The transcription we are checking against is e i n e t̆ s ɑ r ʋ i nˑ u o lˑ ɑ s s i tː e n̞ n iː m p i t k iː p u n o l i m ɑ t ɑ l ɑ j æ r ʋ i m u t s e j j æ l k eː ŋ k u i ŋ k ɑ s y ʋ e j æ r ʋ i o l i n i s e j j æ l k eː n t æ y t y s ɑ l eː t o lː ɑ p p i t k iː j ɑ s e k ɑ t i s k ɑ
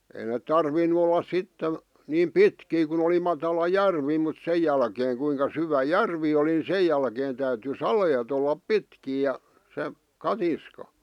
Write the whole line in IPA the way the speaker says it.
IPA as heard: e i n e t̆ t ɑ r ʋ i nˑ u o lˑ ɑ s s i tː e n̞ n iː m p i t k iː k u n o l i m ɑ t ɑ l ɑ j æ r ʋ i m u t s e j j æ l k eː ŋ k u i ŋ k ɑ s y ʋ æ j æ r ʋ i o l i n i s e j j æ l k eː n t æ y t y s ɑ l eː t o lː ɑ p p i t k iː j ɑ s e k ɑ t i s k ɑ